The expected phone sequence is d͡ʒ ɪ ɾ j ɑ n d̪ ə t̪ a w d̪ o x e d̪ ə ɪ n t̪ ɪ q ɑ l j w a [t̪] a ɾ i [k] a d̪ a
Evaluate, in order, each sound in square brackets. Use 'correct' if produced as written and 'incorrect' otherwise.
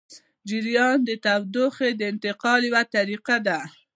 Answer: correct, incorrect

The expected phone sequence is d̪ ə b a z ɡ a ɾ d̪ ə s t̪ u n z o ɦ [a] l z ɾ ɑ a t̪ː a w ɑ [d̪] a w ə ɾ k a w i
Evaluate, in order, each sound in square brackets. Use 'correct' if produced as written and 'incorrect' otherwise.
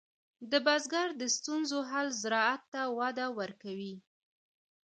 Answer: correct, correct

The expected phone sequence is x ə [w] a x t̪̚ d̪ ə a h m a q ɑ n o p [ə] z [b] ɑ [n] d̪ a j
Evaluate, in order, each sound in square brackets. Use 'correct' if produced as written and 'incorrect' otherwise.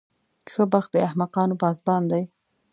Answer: incorrect, incorrect, correct, correct

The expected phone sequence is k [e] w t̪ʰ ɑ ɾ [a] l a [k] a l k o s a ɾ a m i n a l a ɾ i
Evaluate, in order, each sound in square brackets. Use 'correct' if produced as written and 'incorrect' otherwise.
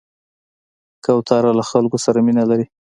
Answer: incorrect, correct, incorrect

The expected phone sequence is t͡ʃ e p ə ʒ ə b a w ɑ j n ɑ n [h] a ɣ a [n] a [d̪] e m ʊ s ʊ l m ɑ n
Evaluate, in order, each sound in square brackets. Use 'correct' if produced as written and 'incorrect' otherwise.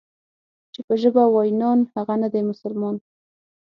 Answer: correct, correct, correct

